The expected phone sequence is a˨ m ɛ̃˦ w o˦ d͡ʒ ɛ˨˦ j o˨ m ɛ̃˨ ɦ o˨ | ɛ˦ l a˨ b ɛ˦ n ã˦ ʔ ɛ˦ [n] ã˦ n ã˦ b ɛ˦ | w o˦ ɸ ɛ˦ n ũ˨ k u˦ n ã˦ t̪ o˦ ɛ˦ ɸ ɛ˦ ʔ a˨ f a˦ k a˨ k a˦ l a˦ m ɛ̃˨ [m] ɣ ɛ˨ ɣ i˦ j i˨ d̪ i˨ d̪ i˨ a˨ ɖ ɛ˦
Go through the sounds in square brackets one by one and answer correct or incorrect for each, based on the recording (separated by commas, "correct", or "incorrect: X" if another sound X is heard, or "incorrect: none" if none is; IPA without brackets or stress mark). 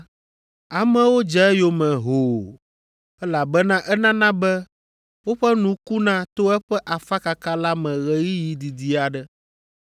correct, incorrect: none